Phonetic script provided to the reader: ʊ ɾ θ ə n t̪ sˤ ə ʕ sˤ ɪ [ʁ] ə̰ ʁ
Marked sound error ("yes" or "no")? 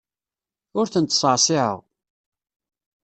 yes